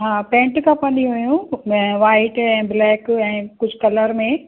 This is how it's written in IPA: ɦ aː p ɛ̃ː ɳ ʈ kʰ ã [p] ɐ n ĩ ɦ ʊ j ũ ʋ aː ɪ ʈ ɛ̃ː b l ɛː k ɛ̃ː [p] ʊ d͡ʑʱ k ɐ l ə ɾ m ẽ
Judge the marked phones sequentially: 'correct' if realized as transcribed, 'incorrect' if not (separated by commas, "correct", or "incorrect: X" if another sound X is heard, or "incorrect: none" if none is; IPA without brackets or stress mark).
correct, incorrect: k